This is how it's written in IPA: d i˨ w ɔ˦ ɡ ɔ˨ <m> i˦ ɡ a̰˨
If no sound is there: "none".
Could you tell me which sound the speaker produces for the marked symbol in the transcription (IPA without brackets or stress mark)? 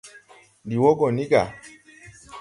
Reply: n